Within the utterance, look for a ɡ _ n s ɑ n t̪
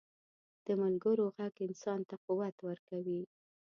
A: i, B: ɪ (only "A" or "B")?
B